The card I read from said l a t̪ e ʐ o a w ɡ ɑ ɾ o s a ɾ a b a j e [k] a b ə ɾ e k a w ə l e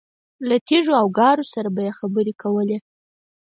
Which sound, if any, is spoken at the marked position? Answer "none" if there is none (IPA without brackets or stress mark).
x